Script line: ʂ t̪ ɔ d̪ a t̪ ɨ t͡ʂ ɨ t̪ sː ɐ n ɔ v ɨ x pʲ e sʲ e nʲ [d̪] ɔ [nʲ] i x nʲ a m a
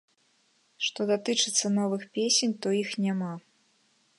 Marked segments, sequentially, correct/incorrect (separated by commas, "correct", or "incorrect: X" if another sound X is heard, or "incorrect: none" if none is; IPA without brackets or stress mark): incorrect: t̪, incorrect: none